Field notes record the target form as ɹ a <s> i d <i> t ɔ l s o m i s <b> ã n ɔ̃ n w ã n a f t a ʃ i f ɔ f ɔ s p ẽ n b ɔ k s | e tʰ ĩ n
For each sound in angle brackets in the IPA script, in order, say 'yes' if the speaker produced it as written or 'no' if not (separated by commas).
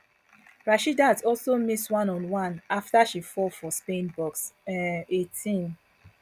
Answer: no, no, no